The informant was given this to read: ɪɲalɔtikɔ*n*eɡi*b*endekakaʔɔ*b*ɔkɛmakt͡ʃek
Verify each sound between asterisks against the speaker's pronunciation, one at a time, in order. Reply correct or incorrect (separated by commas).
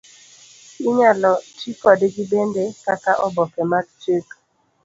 incorrect, correct, correct